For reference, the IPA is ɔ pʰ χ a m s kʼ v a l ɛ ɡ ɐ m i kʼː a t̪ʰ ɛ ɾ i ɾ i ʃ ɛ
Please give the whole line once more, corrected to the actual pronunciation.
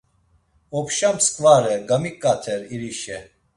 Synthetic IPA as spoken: ɔ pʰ ʃ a m s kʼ v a ɾ ɛ ɡ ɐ m i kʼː a t̪ʰ ɛ ɾ i ɾ i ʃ ɛ